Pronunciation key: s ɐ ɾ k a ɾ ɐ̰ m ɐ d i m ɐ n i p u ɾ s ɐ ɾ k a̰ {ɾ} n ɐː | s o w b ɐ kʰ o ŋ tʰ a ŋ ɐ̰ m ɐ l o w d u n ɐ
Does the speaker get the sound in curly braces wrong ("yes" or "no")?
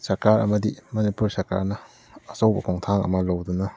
no